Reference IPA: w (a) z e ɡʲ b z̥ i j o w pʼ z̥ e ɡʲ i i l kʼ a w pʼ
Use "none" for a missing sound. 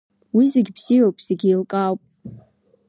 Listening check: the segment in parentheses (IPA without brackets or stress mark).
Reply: i